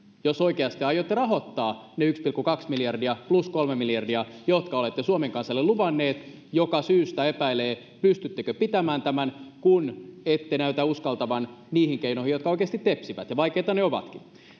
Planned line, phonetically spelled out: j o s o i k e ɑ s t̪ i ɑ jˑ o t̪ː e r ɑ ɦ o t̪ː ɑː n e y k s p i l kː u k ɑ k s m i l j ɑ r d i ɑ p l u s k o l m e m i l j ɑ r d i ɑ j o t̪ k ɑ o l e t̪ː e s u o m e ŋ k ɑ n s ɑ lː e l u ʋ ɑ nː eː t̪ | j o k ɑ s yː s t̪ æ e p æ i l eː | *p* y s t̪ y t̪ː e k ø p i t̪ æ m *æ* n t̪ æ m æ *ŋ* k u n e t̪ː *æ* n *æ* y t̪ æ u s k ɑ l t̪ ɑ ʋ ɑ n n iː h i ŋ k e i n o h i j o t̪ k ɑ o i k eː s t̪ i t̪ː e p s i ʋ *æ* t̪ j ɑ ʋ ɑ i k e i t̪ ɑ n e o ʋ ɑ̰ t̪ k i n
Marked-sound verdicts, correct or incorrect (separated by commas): correct, incorrect, incorrect, incorrect, correct, correct